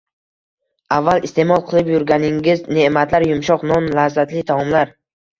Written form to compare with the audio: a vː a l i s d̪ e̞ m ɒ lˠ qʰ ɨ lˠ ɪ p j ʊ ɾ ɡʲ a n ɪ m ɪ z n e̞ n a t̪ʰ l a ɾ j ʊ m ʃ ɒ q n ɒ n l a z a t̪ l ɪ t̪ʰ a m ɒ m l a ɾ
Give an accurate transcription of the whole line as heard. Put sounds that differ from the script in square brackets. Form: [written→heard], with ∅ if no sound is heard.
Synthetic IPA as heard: a vː a l i s [d̪→t̪] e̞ m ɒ lˠ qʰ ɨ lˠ ɪ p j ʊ ɾ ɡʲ a n ɪ [m→ŋ] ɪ z n e̞ [n→m] a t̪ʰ l a ɾ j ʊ m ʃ ɒ q n ɒ n l a z a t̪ l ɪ t̪ʰ a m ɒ m l a ɾ